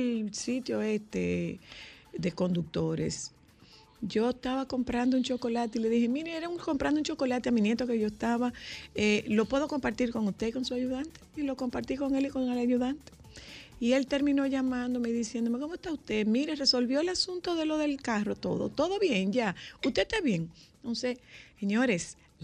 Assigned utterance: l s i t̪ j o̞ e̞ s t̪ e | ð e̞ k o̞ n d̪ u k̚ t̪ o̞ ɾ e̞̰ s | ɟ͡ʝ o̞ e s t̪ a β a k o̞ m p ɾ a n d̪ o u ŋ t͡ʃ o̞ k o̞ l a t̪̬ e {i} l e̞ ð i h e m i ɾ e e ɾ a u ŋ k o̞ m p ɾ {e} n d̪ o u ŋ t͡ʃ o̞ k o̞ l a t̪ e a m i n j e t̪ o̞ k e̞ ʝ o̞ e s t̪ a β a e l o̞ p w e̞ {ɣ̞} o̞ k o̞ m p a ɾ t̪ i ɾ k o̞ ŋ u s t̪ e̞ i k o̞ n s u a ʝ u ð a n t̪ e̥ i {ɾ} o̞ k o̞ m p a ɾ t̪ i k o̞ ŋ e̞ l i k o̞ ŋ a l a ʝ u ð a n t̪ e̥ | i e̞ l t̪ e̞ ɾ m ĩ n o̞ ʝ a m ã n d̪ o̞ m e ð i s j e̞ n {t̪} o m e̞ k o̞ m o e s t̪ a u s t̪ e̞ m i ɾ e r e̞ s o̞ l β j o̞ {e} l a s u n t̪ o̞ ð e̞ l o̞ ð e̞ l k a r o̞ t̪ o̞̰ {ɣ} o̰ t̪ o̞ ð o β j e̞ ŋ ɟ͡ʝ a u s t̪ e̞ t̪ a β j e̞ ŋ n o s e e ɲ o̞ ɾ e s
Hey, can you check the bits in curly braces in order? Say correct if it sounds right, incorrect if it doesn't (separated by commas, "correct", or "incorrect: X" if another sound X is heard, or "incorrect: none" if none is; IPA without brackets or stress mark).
correct, incorrect: a, incorrect: ð̞, incorrect: l, incorrect: d̪, correct, incorrect: ð